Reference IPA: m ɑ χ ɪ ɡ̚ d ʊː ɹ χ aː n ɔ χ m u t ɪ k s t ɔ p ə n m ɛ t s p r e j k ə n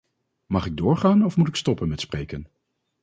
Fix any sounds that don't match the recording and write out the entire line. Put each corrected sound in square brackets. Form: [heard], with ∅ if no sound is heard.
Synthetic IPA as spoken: m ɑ χ ɪ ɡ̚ d ʊː ɹ χ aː n ɔ [f] m u t ɪ k s t ɔ p ə n m ɛ t s p r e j k ə n